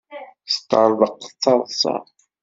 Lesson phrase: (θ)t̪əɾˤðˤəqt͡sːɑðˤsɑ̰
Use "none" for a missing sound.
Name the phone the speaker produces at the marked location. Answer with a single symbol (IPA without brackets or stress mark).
s